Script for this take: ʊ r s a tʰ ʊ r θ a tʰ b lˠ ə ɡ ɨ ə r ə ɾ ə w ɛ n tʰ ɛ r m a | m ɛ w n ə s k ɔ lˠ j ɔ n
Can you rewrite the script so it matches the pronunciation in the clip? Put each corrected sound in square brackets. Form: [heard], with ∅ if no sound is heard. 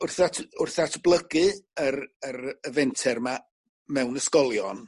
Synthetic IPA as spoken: ʊ r [θ] a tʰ ʊ r θ a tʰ b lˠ ə ɡ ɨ ə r ə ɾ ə [v] ɛ n tʰ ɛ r m a | m ɛ w n ə s k ɔ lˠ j ɔ n